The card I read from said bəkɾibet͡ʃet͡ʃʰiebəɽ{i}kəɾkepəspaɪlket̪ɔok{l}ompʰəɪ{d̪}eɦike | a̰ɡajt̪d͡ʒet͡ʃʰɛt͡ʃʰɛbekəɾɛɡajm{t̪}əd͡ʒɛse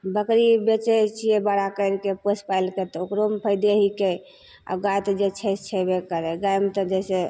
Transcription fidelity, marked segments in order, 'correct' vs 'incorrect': incorrect: a, incorrect: ɾ, correct, correct

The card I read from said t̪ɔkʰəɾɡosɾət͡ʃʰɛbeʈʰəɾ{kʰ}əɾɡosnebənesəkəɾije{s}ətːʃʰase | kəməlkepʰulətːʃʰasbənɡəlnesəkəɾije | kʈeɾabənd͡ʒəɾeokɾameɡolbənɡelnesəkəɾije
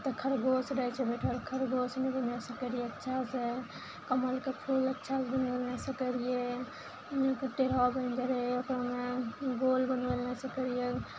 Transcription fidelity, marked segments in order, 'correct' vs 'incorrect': correct, incorrect: none

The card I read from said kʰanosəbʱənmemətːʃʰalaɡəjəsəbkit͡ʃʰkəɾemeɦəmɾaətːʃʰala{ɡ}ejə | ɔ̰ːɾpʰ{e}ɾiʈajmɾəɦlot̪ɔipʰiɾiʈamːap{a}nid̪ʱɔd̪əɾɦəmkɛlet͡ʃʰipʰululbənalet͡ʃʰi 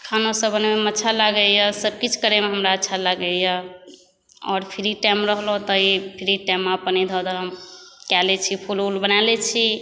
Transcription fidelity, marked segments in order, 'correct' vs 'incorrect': correct, incorrect: i, incorrect: ə

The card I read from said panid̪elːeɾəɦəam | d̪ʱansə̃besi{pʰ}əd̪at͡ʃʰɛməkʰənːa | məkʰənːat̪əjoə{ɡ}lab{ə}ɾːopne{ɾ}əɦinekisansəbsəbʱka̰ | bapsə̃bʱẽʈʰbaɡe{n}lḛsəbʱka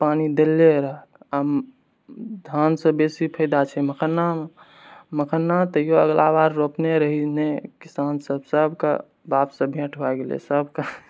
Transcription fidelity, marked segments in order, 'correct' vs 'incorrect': correct, correct, incorrect: a, correct, incorrect: none

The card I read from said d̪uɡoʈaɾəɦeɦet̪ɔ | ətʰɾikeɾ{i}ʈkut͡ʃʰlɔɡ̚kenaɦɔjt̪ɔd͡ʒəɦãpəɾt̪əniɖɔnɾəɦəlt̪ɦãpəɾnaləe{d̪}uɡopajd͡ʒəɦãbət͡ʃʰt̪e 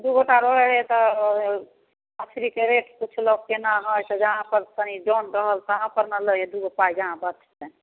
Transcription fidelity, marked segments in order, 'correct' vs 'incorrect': incorrect: e, correct

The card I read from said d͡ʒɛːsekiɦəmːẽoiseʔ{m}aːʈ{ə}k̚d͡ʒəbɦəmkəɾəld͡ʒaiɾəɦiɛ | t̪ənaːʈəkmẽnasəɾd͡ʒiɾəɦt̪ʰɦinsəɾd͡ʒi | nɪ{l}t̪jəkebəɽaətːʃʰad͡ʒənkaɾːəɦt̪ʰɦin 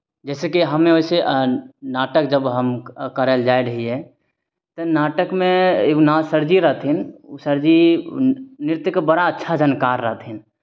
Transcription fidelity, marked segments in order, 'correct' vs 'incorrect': incorrect: n, correct, incorrect: ɾ

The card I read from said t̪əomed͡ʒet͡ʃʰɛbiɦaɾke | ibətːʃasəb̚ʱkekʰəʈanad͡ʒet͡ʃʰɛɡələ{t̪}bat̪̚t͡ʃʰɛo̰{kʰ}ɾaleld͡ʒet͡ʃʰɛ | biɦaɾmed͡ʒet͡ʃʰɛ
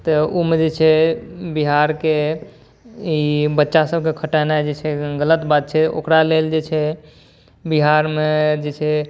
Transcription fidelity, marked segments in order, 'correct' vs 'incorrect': correct, incorrect: k

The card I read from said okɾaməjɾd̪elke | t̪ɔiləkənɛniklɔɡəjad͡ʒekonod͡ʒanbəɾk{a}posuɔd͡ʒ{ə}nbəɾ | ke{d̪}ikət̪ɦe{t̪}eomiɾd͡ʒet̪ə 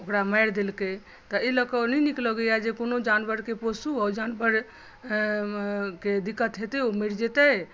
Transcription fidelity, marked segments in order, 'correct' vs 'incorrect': incorrect: e, incorrect: a, correct, correct

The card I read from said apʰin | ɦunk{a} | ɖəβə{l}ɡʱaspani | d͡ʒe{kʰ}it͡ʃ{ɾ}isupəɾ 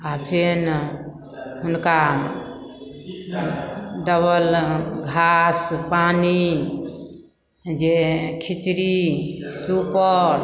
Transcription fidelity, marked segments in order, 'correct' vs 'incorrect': correct, correct, correct, correct

